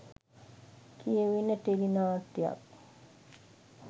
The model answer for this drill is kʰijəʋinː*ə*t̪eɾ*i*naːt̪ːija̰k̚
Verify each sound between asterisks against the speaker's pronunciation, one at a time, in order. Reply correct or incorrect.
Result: correct, correct

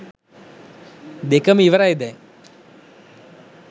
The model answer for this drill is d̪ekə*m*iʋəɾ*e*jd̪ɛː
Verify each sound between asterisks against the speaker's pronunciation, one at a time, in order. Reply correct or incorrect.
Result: correct, incorrect: a

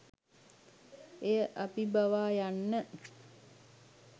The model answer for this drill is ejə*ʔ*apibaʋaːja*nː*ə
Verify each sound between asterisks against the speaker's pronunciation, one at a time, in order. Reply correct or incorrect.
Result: correct, correct

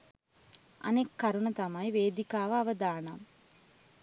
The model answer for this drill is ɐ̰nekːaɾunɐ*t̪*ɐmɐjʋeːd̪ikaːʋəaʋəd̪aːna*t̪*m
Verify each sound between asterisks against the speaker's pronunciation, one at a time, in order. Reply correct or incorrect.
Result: correct, incorrect: none

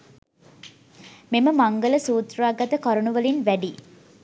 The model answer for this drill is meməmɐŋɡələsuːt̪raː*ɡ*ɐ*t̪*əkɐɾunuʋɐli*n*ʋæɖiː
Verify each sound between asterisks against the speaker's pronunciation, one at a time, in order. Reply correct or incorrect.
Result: correct, correct, correct

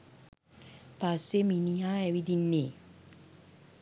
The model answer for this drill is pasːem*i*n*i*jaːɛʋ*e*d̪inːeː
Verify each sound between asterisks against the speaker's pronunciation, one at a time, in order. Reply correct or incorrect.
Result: correct, correct, incorrect: i

